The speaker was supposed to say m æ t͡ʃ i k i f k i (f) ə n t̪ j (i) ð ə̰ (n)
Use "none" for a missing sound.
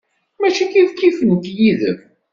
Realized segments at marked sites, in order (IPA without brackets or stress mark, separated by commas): f, i, m